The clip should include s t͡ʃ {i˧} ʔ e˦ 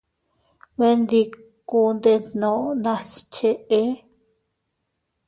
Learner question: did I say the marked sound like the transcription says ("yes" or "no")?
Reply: no